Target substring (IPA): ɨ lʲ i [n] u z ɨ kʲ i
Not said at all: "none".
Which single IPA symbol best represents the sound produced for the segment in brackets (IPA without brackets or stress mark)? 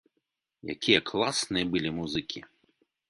m